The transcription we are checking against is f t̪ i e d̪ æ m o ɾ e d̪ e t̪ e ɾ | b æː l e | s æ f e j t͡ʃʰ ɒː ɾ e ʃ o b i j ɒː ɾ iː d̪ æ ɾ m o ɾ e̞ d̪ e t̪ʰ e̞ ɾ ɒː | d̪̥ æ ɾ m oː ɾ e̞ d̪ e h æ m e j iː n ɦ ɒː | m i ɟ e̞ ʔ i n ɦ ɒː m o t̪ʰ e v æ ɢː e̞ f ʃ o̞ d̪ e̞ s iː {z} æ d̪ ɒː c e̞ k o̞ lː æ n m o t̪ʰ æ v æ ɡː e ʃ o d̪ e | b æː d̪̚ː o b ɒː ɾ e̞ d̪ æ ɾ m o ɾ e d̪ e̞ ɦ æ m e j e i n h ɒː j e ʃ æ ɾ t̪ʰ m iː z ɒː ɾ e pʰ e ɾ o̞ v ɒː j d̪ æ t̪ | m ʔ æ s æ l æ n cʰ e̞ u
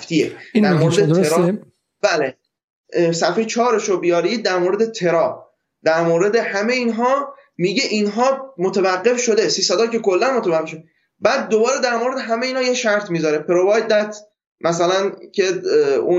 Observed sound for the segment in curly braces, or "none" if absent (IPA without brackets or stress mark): s